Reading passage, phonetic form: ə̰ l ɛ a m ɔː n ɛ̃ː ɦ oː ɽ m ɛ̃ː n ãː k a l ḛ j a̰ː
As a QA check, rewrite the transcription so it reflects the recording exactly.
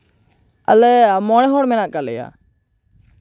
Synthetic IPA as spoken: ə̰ l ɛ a m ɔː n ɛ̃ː ɦ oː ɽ m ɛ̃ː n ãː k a l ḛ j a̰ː

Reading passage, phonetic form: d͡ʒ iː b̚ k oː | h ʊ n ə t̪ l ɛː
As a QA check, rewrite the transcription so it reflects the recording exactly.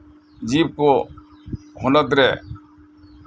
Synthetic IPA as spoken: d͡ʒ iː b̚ k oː | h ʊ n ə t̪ ɾ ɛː

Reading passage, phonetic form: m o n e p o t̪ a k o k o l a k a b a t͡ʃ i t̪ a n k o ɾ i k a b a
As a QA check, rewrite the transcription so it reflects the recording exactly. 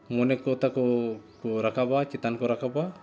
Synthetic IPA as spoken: m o n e k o t̪ a k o k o ɾ a k a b a t͡ʃ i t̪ a n k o ɾ a k a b a

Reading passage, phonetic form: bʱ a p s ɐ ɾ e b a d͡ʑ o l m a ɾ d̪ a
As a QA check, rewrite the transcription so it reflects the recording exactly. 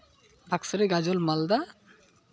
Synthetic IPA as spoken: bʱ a k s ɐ ɾ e ɡ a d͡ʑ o l m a l d̪ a

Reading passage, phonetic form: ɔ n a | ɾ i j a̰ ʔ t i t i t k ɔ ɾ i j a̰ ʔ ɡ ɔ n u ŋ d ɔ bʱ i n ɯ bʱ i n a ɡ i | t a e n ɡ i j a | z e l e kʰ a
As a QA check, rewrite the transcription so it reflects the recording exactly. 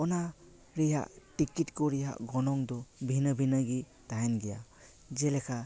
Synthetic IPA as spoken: ɔ n a | ɾ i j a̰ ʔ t i k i t k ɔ ɾ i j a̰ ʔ ɡ ɔ n ɔ ŋ d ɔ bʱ i n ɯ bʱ i n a ɡ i | t a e n ɡ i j a | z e l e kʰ a

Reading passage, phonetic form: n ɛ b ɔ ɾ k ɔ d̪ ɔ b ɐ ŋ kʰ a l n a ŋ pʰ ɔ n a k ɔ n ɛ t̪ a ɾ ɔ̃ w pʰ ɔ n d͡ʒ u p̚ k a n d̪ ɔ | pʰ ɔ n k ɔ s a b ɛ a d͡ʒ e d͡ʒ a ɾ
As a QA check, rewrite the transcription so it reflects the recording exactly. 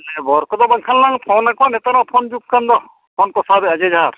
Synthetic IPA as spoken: n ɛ b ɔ ɾ k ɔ d̪ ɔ b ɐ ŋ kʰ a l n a ŋ pʰ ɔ n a k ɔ n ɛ t̪ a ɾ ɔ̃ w pʰ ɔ n d͡ʒ u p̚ k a n d̪ ɔ | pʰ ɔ n k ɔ s a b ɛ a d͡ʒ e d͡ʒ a ɾ

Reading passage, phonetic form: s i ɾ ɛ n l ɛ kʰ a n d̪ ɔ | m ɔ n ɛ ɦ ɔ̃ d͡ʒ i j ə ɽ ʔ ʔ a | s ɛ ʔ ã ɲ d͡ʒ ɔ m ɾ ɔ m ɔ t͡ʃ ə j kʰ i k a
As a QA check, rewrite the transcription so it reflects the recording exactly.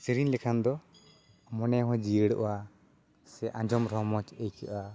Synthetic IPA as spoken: s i ɾ i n l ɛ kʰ a n d̪ ɔ | m ɔ n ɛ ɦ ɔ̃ d͡ʒ i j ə ɽ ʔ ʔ a | s ɛ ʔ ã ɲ d͡ʒ ɔ m ɾ ɔ m ɔ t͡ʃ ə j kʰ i ʔ a

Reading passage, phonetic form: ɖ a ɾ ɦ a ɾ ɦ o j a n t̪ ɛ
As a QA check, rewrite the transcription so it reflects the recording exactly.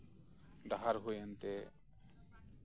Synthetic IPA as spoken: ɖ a ɦ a ɾ ɦ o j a n t̪ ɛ

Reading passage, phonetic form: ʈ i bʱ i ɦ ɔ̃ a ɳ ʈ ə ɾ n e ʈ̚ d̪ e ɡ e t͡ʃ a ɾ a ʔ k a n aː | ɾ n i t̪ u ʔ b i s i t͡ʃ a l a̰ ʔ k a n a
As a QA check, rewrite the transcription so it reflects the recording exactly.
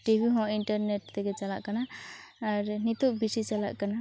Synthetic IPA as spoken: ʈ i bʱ i ɦ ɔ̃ i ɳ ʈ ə ɾ n e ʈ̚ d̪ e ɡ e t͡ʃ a l a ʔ k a n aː | ɾ n i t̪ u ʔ b i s i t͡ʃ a l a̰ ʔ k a n a

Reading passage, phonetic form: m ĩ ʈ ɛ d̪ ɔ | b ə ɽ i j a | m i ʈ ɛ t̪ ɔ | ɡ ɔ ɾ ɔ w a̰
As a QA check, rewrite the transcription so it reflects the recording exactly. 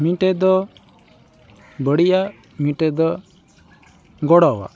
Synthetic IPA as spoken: m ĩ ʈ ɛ d̪ ɔ | b ə ɽ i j a | m i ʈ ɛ d̪ ɔ | ɡ ɔ ɽ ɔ w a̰

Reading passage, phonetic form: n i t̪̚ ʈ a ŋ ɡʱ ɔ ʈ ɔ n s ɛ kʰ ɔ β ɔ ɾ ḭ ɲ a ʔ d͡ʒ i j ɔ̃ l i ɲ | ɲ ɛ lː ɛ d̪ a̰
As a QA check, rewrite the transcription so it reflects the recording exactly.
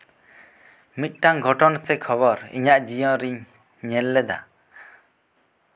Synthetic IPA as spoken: m i t̪̚ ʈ a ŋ ɡʱ ɔ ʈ ɔ n s ɛ kʰ ɔ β ɔ ɾ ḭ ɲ a ʔ d͡ʒ i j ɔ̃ ɾ i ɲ | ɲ ɛ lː ɛ d̪ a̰

